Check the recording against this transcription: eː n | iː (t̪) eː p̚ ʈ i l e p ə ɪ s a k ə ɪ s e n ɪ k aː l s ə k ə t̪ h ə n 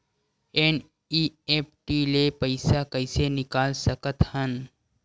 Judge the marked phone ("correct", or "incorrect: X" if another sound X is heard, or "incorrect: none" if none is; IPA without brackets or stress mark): incorrect: none